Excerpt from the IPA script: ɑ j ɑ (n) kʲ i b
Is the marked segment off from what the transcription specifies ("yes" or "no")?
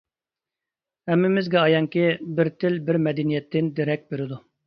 yes